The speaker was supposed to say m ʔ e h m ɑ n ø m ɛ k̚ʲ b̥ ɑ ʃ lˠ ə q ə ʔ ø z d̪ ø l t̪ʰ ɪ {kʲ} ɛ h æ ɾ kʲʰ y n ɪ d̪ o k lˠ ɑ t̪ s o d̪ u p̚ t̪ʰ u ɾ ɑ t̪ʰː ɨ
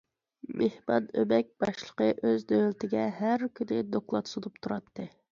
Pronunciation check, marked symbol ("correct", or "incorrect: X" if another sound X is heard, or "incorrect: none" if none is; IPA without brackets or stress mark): incorrect: ɡʲ